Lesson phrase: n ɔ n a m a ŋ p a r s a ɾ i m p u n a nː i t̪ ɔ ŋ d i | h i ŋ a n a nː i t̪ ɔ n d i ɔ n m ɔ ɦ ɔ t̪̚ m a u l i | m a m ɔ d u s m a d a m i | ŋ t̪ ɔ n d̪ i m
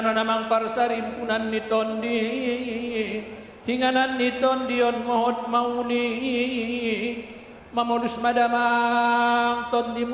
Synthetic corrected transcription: n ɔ n a m a ŋ p a r s a ɾ i m p u n a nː i t̪ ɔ n d i | h i ŋ a n a nː i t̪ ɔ n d i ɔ n m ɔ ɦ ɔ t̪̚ m a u l i | m a m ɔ d u s m a d a m a | ŋ t̪ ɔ n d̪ i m